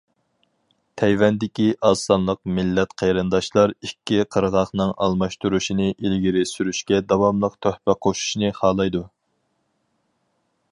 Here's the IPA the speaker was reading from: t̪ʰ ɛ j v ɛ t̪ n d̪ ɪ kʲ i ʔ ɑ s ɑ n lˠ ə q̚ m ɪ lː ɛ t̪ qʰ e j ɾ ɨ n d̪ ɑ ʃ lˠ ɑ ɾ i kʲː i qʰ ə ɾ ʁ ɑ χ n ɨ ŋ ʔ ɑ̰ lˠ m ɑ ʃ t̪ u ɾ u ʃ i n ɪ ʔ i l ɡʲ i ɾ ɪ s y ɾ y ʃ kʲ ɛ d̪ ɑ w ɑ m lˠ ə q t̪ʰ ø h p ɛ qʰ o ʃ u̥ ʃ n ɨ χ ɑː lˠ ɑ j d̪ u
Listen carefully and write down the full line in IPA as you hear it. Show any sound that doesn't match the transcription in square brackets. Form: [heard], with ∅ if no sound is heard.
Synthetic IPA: t̪ʰ ɛ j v ɛ [∅] n d̪ ɪ kʲ i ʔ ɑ s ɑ n lˠ ə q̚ m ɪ lː ɛ t̪ qʰ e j ɾ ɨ n d̪ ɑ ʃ lˠ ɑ ɾ i kʲː i qʰ ə ɾ ʁ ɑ χ n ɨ ŋ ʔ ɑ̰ lˠ m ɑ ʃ t̪ u ɾ u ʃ i n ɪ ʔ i l ɡʲ i ɾ ɪ s y ɾ y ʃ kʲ ɛ d̪ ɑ w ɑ m lˠ ə q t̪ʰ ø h p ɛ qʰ o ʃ u̥ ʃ n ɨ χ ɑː lˠ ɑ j d̪ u

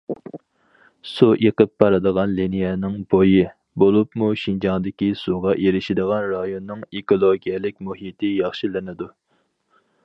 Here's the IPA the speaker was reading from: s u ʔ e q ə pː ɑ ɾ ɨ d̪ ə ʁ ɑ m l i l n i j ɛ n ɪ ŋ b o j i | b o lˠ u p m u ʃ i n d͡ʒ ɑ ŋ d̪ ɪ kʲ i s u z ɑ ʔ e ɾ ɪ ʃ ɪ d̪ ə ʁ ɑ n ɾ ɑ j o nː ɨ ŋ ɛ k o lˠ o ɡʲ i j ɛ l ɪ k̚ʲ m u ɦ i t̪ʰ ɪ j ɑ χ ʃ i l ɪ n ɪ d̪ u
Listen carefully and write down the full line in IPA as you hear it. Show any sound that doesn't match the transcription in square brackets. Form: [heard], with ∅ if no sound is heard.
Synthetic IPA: s u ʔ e q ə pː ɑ ɾ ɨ d̪ ə ʁ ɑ [n] l i [∅] n i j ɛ n ɪ ŋ b o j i | b o lˠ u p m u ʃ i n d͡ʒ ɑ ŋ d̪ ɪ kʲ i s u [ʁ] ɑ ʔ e ɾ ɪ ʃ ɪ d̪ ə ʁ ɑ n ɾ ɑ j o nː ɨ ŋ [e] k o lˠ o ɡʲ i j ɛ l ɪ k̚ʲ m u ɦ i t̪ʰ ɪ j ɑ χ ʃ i l ɪ n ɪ d̪ u

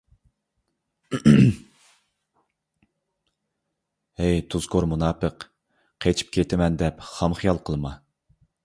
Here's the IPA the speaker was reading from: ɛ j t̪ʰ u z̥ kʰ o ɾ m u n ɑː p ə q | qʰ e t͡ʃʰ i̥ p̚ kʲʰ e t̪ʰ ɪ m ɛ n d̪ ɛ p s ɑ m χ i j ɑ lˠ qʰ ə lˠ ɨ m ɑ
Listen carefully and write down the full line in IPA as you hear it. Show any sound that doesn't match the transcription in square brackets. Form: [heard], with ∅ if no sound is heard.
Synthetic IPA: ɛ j t̪ʰ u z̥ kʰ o ɾ m u n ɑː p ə q | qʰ e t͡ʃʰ i̥ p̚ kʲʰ e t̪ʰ ɪ m ɛ n d̪ ɛ p [χ] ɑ m χ i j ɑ lˠ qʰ ə lˠ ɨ m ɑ

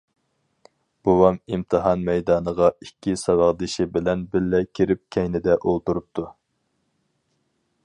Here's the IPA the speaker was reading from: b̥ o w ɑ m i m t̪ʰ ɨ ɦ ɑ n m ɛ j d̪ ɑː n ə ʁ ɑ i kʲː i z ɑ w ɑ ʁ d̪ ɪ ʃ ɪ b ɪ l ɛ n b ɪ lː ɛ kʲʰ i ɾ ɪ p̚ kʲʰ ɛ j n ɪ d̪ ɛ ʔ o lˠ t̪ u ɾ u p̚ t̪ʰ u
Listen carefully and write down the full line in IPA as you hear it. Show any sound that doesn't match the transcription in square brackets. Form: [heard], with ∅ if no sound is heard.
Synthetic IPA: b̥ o w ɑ m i m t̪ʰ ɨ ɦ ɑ n m ɛ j d̪ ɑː n ə ʁ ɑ i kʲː i [s] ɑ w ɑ ʁ d̪ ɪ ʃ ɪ b ɪ l ɛ n b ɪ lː ɛ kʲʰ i ɾ ɪ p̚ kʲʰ ɛ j n ɪ d̪ ɛ ʔ o lˠ t̪ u ɾ u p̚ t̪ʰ u

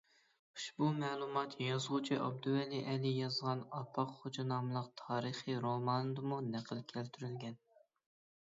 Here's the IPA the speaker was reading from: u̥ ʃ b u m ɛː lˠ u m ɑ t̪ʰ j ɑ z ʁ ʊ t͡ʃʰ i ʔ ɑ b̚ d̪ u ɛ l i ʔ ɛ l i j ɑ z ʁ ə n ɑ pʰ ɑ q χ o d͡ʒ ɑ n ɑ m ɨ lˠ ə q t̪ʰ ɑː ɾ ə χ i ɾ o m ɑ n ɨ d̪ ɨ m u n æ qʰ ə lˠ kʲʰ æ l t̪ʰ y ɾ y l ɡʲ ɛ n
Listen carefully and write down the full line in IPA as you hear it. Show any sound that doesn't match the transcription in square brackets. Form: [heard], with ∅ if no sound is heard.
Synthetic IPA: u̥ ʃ b u m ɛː lˠ u m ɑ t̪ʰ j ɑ z ʁ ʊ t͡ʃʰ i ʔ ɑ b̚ d̪ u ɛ l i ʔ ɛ l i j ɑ z ʁ [ɑ] n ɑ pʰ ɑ q χ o d͡ʒ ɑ n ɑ m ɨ lˠ ə q t̪ʰ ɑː ɾ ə χ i ɾ o m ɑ n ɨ d̪ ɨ m u n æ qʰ ə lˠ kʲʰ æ l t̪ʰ y ɾ y l ɡʲ ɛ n

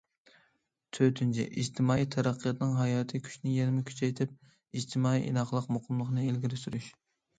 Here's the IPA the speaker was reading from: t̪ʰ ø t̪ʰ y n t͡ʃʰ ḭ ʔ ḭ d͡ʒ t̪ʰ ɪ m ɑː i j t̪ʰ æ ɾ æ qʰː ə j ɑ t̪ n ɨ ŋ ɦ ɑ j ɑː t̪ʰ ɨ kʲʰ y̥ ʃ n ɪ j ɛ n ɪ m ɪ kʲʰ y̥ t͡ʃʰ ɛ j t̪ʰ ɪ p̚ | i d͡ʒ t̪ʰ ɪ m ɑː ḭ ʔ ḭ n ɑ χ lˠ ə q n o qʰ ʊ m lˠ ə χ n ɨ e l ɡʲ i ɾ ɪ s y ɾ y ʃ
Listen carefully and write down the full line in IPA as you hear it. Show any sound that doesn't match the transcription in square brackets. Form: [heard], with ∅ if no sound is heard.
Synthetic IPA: t̪ʰ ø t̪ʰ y n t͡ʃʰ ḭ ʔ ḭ d͡ʒ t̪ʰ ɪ m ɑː i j t̪ʰ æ ɾ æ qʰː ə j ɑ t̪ n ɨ ŋ ɦ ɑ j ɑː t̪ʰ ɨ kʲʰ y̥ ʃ n ɪ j ɛ n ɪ m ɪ kʲʰ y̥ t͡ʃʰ ɛ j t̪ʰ ɪ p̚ | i d͡ʒ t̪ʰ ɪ m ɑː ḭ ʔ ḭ n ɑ χ lˠ ə q [m] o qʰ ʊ m lˠ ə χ n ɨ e l ɡʲ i ɾ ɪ s y ɾ y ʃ

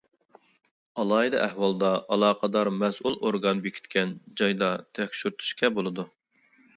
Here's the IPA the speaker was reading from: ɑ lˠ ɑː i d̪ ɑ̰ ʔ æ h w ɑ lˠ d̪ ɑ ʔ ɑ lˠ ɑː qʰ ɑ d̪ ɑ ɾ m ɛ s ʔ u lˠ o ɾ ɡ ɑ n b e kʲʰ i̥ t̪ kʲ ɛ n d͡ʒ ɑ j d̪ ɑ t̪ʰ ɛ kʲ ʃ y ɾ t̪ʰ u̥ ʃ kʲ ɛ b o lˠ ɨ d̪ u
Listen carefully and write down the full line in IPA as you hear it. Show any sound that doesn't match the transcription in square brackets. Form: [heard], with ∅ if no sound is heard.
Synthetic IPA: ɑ lˠ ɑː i d̪ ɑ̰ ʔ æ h w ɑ lˠ d̪ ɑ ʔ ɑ lˠ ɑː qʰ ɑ d̪ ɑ ɾ m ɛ s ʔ u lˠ o ɾ ɡ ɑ n b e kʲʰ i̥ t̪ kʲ ɛ n d͡ʒ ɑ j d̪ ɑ t̪ʰ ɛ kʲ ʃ y ɾ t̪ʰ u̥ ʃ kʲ ɛ b o lˠ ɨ d̪ u

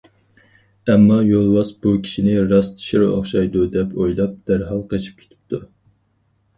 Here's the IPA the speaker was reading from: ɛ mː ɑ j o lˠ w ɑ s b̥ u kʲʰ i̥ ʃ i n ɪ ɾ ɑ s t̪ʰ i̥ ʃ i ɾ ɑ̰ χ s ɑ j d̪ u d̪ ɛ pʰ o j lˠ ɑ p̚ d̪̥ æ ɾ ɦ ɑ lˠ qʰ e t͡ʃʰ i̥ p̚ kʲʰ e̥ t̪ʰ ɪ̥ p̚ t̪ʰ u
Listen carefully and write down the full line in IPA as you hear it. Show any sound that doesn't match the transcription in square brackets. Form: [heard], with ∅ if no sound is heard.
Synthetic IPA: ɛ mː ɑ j o lˠ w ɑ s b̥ u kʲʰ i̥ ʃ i n ɪ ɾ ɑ s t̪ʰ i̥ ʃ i ɾ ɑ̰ χ [ʃ] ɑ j d̪ u d̪ ɛ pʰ o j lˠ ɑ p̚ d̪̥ æ ɾ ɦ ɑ lˠ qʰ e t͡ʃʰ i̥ p̚ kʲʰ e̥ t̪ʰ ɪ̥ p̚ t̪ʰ u

